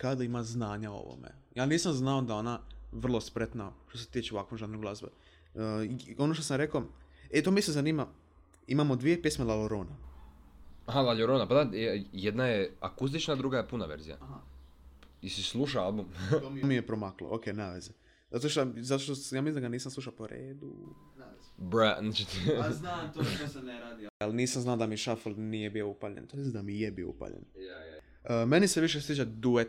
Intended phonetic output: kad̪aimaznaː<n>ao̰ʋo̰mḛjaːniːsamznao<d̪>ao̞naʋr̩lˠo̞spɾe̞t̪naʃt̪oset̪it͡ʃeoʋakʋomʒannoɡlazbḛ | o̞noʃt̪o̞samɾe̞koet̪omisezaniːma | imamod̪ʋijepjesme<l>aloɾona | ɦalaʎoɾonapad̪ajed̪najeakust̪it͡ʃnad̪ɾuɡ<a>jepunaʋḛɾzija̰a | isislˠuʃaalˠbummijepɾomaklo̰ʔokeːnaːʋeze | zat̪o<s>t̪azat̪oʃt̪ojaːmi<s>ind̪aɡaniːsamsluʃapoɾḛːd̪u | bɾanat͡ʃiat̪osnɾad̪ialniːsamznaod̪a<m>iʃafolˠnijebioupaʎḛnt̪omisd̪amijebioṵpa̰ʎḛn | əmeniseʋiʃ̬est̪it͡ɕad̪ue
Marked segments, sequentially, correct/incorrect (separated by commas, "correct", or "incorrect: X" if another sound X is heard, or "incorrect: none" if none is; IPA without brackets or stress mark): incorrect: ɲ, correct, correct, correct, incorrect: ʃ, correct, correct